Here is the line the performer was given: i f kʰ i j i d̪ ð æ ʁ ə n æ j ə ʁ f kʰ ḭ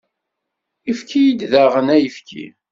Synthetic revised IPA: i f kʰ i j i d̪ ð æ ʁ ə n æ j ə f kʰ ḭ